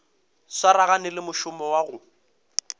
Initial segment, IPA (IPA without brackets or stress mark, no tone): s